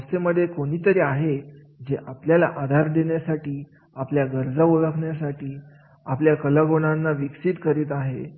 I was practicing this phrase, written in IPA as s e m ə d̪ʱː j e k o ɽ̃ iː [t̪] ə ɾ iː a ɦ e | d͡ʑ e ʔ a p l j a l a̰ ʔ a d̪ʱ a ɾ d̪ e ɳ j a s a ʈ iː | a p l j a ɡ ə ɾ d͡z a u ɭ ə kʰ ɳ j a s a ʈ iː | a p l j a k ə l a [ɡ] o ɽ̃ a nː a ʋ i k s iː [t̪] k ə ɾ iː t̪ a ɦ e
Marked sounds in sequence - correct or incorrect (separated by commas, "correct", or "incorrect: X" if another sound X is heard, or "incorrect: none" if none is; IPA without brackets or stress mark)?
correct, correct, correct